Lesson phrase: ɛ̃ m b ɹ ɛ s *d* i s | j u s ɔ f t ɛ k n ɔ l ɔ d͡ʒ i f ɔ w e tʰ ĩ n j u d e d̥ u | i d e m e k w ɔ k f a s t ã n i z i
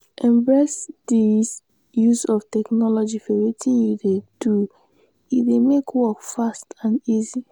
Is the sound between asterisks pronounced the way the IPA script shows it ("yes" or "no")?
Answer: yes